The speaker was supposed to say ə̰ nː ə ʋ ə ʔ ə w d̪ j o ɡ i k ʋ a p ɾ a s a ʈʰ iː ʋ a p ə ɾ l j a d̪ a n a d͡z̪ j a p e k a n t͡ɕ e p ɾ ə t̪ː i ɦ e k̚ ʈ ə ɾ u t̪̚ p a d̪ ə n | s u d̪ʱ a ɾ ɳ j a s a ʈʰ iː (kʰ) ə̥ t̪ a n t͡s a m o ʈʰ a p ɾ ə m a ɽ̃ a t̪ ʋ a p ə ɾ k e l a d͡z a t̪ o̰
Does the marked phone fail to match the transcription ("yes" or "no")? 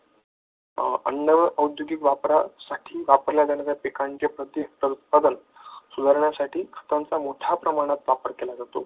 no